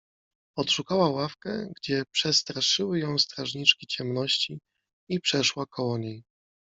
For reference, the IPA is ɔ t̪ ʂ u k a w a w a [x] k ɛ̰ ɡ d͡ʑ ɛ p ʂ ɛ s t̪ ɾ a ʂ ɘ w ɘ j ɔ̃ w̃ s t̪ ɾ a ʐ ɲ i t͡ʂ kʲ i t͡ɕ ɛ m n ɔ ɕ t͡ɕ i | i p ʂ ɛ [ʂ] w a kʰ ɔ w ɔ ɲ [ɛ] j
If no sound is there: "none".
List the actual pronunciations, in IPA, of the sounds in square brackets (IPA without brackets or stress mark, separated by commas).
f, ʂ, e